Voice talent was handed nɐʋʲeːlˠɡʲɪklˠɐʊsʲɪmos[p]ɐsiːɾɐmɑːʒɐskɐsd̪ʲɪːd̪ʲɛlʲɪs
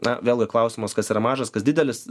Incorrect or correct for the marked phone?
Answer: incorrect: k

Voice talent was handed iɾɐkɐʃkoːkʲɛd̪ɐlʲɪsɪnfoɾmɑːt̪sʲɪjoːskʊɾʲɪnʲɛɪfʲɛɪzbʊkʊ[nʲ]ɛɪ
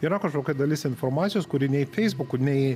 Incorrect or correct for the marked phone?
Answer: correct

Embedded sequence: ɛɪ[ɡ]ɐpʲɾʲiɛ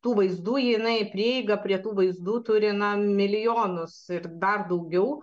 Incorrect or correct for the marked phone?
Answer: correct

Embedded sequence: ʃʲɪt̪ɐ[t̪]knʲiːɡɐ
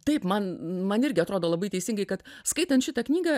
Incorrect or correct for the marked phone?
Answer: incorrect: none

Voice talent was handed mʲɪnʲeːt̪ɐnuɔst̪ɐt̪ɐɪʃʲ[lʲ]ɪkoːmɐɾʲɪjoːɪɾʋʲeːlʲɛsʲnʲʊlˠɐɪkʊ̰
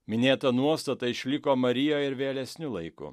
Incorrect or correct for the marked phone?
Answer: correct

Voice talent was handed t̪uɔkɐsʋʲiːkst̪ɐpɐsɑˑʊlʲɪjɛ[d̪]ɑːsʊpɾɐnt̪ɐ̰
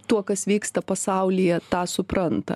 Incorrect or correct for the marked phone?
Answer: incorrect: t̪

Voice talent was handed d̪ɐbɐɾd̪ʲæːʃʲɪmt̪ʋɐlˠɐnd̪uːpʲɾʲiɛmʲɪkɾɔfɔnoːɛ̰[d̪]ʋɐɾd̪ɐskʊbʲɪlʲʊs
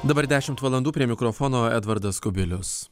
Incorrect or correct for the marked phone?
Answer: correct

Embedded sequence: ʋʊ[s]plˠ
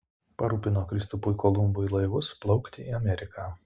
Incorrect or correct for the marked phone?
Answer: correct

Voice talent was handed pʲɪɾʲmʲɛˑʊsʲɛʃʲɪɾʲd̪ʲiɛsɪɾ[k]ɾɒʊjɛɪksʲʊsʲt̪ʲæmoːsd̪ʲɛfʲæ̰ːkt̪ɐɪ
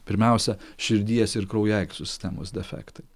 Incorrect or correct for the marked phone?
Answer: correct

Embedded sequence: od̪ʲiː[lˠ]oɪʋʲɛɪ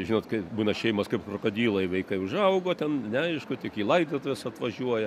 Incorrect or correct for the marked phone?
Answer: correct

